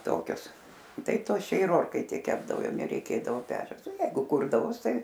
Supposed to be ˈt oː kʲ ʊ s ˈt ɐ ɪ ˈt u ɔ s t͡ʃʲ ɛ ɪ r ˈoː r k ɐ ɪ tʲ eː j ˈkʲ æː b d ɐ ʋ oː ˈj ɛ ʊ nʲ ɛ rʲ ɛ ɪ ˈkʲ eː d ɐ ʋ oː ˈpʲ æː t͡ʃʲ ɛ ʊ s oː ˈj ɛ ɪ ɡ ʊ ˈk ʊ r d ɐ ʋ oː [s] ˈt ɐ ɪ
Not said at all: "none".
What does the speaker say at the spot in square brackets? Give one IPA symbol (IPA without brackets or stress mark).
s